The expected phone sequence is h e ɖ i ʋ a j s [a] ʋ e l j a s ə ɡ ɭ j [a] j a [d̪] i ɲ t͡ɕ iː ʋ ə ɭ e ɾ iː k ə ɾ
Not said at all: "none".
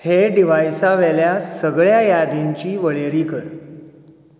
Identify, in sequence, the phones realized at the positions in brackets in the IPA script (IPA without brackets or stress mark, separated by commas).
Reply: a, a, d̪